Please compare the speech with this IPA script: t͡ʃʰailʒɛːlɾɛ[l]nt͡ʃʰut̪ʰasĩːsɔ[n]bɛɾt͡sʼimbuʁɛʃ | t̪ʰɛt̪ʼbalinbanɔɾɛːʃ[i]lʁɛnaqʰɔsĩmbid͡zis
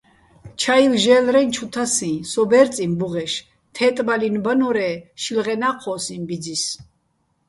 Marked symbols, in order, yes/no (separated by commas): no, no, yes